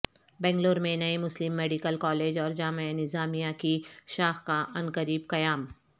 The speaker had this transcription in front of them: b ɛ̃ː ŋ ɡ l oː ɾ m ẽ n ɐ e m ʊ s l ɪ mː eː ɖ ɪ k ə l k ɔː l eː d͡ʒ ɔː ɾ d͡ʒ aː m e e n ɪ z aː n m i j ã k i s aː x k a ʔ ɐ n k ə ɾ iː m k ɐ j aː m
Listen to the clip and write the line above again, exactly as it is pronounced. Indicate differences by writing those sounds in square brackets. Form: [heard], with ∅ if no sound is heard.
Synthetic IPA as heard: b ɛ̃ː ŋ ɡ l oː ɾ m ẽ n ɐ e m ʊ s l ɪ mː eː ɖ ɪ k ə l k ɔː l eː d͡ʒ ɔː ɾ d͡ʒ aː m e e n ɪ z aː [∅] m i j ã k i [ʃ] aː x k a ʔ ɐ n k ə ɾ iː [b] k ɐ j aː m